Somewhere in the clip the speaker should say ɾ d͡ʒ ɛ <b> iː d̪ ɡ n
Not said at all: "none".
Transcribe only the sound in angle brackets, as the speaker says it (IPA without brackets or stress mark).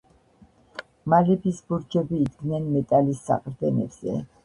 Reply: b